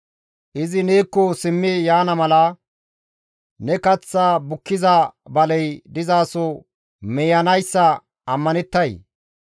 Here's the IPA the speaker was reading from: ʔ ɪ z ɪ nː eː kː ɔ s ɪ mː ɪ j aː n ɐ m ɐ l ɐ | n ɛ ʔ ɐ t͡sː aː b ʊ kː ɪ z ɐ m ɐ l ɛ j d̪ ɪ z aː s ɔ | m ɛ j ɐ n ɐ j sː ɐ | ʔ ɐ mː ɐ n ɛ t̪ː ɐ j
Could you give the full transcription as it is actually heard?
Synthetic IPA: ʔ ɪ z ɪ n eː kː ɔ s ɪ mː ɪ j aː n ɐ m ɐ l ɐ | n ɛ k ɐ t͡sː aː b ʊ kː ɪ z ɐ b ɐ l ɛ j d̪ ɪ z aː s ɔ | m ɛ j ɐ n ɐ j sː ɐ | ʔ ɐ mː ɐ n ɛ t̪ː ɐ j